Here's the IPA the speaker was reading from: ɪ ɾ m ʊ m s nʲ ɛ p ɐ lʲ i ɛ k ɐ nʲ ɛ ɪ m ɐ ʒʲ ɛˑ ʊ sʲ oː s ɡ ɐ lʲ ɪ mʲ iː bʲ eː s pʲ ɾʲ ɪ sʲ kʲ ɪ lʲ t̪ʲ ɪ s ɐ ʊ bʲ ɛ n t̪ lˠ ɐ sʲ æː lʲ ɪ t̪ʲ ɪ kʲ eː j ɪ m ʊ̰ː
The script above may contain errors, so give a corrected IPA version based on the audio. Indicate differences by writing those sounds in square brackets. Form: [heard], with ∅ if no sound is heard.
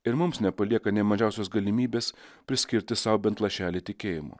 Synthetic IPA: ɪ ɾ m ʊ m s nʲ ɛ p ɐ lʲ i ɛ k ɐ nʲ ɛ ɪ m ɐ ʒʲ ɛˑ ʊ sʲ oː s ɡ ɐ lʲ ɪ mʲ iː bʲ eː s pʲ ɾʲ ɪ sʲ kʲ ɪ [ɾʲ] t̪ʲ ɪ s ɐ ʊ bʲ ɛ n t̪ lˠ ɐ [ʃʲ] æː lʲ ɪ t̪ʲ ɪ kʲ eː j ɪ m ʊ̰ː